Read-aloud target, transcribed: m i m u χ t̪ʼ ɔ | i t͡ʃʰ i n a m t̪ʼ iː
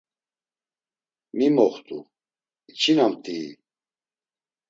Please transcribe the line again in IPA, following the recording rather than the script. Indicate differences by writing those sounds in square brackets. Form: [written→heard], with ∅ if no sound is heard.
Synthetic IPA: m i m [u→ɔ] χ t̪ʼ [ɔ→u] | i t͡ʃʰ i n a m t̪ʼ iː